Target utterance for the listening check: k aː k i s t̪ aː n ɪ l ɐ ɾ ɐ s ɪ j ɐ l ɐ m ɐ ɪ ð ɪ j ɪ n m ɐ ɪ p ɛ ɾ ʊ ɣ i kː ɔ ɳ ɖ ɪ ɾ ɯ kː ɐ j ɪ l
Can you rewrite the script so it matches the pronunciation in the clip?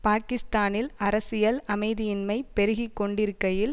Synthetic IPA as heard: p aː k ɪ s t̪ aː n ɪ l ɐ ɾ ɐ s ɪ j ɐ l ɐ m ɐ ɪ ð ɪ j ɪ n m ɐ ɪ p ɛ ɾ ɯ ɣ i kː ɔ ɳ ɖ ɪ ɾ ɯ kː ɐ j ɪ l